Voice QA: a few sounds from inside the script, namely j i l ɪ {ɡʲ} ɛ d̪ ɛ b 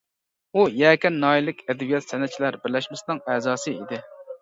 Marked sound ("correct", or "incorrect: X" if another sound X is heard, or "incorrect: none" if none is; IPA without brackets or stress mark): incorrect: kʲ